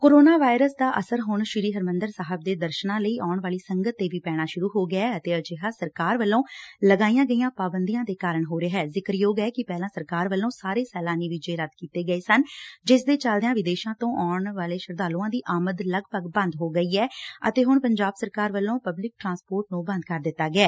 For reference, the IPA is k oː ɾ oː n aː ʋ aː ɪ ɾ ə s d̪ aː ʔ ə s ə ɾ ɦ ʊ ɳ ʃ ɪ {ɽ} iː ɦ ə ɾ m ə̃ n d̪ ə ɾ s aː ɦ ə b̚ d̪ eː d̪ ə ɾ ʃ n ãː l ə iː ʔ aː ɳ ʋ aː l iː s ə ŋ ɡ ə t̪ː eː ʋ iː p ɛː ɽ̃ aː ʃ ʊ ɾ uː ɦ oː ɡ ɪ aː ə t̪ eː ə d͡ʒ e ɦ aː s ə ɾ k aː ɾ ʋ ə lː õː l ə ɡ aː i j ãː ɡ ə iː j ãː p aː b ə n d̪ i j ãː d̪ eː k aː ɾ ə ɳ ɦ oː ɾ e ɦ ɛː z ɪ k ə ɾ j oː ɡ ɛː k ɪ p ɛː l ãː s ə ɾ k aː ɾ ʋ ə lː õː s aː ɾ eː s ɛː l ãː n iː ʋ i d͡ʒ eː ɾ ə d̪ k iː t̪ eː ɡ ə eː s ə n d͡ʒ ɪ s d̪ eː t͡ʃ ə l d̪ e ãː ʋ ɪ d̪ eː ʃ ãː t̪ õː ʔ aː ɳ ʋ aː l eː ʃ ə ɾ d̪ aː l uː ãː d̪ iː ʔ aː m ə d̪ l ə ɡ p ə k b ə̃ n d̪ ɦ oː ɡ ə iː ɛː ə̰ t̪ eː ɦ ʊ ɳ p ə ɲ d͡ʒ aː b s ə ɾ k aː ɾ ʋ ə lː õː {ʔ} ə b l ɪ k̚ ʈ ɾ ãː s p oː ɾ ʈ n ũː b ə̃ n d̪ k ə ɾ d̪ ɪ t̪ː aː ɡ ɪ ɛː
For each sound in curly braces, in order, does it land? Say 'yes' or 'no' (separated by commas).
no, no